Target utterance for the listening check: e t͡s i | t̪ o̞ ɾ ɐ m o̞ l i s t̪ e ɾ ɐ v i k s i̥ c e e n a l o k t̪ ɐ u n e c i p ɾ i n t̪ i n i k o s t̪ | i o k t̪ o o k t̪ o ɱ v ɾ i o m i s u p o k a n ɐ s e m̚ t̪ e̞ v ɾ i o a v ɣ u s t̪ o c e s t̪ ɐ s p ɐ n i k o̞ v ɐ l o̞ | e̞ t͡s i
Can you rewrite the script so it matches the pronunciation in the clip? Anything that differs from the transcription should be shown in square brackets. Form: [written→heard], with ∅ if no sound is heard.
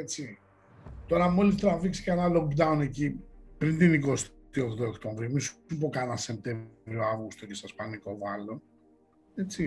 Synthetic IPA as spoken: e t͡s i | t̪ o̞ ɾ ɐ m o̞ l i s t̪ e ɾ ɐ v i k s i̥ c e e n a l o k [t̪→d̪] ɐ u n e c i p ɾ i n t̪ i n i k o s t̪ | i o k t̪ o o k t̪ o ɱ v ɾ i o m i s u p o k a n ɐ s e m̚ t̪ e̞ v ɾ i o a v ɣ u s t̪ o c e s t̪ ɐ s p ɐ n i k o̞ v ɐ l o̞ | e̞ t͡s i